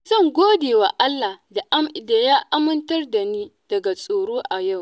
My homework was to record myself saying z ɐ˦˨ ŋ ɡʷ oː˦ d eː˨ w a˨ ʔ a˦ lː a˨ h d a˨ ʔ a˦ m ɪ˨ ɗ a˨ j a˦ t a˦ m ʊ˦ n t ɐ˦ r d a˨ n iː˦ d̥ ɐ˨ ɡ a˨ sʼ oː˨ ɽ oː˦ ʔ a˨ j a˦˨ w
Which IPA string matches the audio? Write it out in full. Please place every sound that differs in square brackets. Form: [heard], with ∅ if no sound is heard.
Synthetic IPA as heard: z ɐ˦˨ ŋ ɡʷ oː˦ d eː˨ w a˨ ʔ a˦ lː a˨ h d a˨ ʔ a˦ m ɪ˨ [d] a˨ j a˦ [ʔ] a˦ m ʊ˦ n t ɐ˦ r d a˨ n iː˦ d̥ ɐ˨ ɡ a˨ sʼ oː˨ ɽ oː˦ ʔ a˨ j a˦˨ w